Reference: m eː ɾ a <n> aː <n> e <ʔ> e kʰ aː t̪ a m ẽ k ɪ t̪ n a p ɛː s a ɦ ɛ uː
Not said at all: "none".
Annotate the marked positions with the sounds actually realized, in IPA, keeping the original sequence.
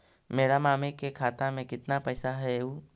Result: m, m, k

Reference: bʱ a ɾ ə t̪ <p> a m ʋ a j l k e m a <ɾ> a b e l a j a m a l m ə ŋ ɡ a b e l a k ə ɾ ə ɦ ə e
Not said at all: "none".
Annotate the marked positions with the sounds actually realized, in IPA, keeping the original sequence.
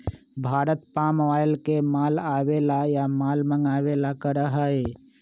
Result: p, l

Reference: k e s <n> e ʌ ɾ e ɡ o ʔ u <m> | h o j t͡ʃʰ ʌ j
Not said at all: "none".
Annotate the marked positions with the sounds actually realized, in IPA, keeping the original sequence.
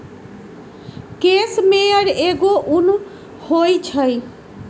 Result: m, n

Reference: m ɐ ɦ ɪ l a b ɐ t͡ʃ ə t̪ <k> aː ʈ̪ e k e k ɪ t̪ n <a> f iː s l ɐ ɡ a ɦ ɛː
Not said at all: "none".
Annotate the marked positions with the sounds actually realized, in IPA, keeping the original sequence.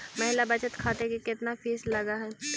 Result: kʰ, a

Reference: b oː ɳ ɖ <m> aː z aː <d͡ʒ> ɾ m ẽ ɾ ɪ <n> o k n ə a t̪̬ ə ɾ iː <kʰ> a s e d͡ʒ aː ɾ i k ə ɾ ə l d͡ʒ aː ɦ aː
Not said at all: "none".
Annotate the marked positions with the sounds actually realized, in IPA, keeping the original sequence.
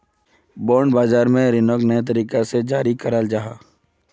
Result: b, none, n, k

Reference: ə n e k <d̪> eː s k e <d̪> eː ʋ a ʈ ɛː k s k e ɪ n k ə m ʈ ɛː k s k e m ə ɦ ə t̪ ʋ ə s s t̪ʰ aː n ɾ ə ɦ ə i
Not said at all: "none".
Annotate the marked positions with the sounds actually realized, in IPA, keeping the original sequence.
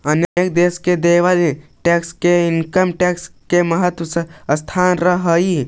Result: d̪, d̪

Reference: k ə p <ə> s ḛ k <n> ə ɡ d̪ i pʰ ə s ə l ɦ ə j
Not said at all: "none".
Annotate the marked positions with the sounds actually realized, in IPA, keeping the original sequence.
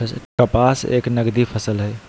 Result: a, n

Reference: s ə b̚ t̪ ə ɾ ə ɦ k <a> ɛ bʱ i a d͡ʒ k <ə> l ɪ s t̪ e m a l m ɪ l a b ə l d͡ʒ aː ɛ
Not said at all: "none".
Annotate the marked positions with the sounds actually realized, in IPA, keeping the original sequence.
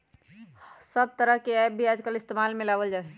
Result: e, ə

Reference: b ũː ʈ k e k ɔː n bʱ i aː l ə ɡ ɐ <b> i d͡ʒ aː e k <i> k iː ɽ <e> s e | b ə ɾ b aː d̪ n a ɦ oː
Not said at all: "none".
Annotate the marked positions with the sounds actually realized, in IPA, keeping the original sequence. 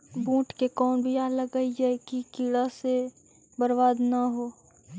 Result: none, i, a

